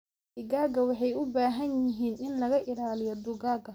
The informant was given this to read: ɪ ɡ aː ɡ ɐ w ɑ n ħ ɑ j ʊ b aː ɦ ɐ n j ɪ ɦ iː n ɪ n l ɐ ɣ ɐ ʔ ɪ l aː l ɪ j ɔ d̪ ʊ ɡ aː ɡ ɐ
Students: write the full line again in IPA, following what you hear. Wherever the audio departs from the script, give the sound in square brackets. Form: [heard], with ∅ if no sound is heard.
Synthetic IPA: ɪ ɡ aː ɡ ɐ w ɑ [∅] ħ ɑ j ʊ b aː ɦ ɐ n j ɪ ɦ iː n ɪ n l ɐ ɣ ɐ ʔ ɪ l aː l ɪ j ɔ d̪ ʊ ɡ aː ɡ ɐ